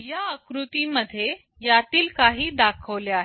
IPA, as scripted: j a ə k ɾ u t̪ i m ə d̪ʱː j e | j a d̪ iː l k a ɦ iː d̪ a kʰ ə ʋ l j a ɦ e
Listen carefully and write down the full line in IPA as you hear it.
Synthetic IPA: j a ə k ɾ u t̪ i m ə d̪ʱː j e | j a t̪ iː l k a ɦ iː d̪ a kʰ ə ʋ l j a ɦ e